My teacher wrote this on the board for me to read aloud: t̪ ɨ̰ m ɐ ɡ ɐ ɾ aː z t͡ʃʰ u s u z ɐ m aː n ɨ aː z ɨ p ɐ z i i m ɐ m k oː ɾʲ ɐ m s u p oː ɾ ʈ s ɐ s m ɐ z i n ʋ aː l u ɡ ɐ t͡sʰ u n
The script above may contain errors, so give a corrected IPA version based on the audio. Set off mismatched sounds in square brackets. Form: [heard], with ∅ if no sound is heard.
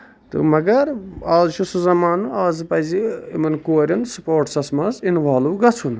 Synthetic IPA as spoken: t̪ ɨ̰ m ɐ ɡ ɐ ɾ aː z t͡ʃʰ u s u z ɐ m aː n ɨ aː z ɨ p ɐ z i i m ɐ [n] k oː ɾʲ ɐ [n] s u p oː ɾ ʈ s ɐ s m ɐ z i n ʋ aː l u ɡ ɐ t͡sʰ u n